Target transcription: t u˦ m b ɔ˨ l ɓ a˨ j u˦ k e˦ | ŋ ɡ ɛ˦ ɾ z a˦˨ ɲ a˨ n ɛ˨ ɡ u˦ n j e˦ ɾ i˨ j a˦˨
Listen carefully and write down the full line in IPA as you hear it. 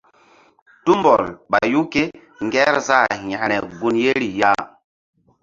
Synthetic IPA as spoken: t u˦ m b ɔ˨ l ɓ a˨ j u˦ k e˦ | ŋ ɡ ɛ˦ ɾ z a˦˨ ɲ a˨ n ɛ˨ ɡ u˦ n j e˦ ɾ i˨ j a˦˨